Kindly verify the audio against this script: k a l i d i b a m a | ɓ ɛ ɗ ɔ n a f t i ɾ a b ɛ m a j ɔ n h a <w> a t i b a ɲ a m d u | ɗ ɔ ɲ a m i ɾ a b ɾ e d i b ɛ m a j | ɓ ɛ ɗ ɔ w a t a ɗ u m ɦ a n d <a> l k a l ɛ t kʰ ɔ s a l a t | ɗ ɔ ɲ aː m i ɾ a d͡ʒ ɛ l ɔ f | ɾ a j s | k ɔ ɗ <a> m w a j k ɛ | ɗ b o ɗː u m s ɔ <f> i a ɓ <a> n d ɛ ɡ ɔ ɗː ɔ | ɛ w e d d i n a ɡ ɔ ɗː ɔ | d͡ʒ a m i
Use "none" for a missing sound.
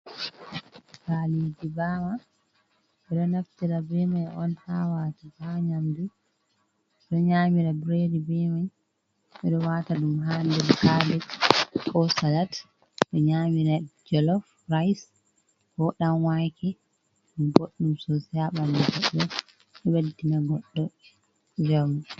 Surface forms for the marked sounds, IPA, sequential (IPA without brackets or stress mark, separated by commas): w, ɛ, a, s, a